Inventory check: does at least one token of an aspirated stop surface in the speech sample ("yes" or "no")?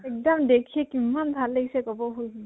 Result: yes